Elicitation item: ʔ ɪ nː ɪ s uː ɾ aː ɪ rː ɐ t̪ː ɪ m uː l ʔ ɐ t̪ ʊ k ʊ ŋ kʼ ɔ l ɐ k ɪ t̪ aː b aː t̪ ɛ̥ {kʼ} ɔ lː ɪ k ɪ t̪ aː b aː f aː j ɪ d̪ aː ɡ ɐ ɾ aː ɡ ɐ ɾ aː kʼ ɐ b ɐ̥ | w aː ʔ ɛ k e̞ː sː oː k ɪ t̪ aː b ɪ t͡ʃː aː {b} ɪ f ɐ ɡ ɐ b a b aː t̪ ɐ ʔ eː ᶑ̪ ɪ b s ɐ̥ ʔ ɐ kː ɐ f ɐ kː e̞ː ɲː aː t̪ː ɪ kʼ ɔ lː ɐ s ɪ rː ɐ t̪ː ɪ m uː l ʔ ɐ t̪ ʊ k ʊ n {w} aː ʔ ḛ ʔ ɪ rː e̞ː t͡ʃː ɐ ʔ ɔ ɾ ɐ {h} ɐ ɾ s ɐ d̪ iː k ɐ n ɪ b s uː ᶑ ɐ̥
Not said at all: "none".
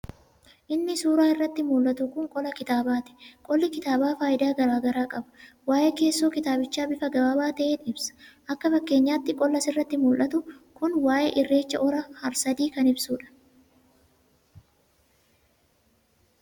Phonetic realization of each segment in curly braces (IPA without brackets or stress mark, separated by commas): kʼ, b, w, h